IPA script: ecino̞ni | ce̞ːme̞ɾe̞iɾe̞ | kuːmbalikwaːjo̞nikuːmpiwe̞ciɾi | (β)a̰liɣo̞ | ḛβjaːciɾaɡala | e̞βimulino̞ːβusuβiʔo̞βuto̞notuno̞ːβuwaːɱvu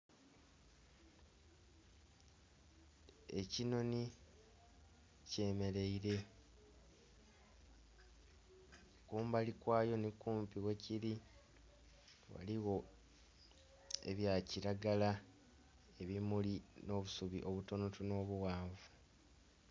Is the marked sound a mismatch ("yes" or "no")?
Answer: yes